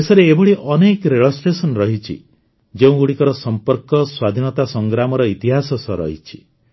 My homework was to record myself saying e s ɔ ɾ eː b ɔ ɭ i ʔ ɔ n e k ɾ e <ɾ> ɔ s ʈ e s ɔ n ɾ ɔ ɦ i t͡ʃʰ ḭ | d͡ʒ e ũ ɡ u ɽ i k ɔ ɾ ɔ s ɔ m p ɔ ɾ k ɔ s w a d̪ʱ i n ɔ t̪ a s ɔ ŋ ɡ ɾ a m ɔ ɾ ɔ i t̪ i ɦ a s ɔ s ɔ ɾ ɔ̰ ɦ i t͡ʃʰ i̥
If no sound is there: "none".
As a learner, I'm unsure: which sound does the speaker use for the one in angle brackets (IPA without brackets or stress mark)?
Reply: ɭ